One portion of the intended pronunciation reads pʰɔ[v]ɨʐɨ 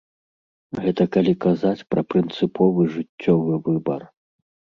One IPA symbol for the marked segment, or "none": v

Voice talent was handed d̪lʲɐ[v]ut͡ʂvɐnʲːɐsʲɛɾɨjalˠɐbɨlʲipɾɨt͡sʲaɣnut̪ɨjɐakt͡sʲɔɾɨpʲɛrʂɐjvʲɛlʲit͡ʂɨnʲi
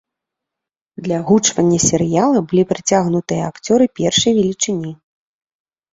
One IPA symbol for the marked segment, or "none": ɣ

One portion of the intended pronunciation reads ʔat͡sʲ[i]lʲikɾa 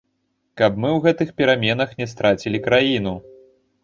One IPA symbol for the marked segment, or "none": i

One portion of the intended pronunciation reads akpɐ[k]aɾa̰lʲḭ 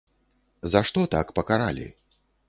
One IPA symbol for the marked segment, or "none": k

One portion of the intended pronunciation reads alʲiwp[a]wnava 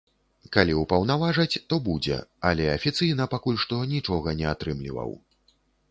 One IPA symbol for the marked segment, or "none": ɐ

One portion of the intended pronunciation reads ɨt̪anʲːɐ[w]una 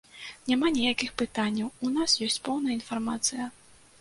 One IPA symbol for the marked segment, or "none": w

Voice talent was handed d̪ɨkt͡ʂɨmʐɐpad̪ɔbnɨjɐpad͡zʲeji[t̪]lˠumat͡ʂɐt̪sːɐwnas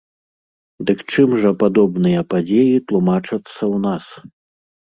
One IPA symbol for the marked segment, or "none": t̪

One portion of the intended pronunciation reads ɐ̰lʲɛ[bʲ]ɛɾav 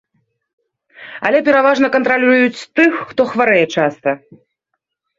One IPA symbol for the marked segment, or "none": pʲ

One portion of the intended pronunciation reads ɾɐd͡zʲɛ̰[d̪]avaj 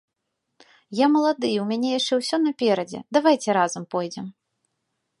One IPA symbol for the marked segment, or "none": d̪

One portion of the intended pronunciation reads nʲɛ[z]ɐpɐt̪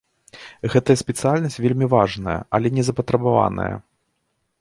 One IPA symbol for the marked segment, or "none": z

